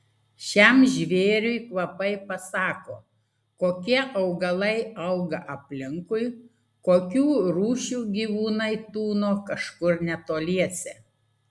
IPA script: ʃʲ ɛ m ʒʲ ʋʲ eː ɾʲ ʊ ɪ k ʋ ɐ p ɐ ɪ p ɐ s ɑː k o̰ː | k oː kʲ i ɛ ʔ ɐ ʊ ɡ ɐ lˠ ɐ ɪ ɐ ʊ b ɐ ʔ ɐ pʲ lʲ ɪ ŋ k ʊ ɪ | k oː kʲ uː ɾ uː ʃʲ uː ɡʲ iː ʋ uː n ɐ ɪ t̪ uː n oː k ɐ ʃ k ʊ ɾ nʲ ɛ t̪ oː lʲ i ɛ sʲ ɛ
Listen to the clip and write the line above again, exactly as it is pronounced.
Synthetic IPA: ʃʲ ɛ m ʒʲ ʋʲ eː ɾʲ ʊ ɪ k ʋ ɐ p ɐ ɪ p ɐ s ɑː k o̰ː | k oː kʲ i ɛ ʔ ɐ ʊ ɡ ɐ lˠ ɐ ɪ ɐ ʊ ɡ ɐ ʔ ɐ pʲ lʲ ɪ ŋ k ʊ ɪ | k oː kʲ uː ɾ uː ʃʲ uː ɡʲ iː ʋ uː n ɐ ɪ t̪ uː n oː k ɐ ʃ k ʊ ɾ nʲ ɛ t̪ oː lʲ i ɛ sʲ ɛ